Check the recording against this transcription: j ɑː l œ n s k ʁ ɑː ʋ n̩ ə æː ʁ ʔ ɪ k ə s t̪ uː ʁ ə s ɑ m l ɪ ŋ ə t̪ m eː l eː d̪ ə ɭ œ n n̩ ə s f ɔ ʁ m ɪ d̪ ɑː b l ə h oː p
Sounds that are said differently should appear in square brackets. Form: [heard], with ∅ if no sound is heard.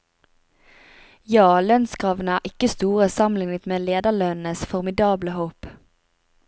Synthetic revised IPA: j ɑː l œ n s k ʁ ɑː ʋ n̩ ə æː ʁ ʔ ɪ k ə s t̪ uː ʁ ə s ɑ m l ɪ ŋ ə t̪ m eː l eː d̪ ə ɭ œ n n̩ ə s f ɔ ʁ m ɪ d̪ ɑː b l ə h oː p